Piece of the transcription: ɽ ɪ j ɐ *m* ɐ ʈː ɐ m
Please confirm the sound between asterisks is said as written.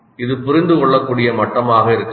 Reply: yes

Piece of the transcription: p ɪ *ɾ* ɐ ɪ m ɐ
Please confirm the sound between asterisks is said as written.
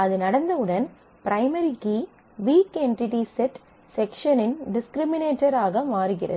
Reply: yes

